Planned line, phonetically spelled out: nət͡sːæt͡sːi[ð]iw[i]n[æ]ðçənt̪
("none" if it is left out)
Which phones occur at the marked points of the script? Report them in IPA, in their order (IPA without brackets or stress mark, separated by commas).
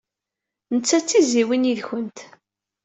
z, i, i